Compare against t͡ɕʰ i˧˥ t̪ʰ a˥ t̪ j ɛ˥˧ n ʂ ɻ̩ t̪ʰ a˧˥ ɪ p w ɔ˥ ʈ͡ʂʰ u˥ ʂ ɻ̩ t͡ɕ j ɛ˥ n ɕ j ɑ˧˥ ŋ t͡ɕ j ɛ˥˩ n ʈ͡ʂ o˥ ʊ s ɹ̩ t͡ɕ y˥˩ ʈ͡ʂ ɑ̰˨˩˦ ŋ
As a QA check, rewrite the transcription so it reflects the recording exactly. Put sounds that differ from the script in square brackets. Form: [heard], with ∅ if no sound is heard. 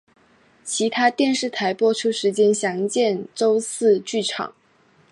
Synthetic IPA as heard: t͡ɕʰ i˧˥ t̪ʰ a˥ t̪ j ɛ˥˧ n ʂ ɻ̩ t̪ʰ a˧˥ ɪ p w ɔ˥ ʈ͡ʂʰ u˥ ʂ ɻ̩ t͡ɕ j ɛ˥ n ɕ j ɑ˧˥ ŋ t͡ɕ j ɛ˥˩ n ʈ͡ʂ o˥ ʊ s ɹ̩ t͡ɕ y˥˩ [ʈ͡ʂʰ] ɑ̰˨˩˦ ŋ